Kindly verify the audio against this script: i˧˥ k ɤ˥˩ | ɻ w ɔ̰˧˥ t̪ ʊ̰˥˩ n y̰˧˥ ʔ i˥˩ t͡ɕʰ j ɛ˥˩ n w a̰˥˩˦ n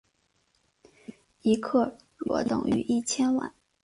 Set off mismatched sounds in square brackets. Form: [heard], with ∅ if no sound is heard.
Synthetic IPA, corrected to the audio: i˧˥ [kʰ] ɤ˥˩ | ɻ w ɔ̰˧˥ t̪ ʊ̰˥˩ [ŋ] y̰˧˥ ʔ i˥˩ t͡ɕʰ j [ɛ˥] n w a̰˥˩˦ n